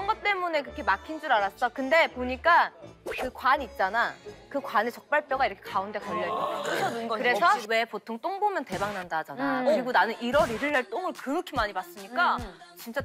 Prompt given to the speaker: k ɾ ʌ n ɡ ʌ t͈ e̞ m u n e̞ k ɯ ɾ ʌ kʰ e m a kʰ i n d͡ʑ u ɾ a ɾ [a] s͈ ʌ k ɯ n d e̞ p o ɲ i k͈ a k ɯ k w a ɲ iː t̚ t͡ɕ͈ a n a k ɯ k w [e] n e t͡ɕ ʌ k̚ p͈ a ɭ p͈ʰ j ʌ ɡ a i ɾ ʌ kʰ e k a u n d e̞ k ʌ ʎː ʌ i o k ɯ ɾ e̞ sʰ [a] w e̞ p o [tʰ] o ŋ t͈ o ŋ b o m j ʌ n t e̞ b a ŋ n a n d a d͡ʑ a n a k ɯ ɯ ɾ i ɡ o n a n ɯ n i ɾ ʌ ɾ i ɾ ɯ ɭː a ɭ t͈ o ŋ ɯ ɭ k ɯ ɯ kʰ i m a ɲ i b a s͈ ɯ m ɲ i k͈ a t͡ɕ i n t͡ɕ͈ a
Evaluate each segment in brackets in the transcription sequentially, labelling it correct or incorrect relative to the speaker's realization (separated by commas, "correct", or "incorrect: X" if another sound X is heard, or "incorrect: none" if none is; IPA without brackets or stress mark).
correct, incorrect: a, incorrect: ʌ, correct